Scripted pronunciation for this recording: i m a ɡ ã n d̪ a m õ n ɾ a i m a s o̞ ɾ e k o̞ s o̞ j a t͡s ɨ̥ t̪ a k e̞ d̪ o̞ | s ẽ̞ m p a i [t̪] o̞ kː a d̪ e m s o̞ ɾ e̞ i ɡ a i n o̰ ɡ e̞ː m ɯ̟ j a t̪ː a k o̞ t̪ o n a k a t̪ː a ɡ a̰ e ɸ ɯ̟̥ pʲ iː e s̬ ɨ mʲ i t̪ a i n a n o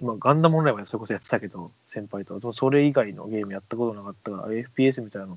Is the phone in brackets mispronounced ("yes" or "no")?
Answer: no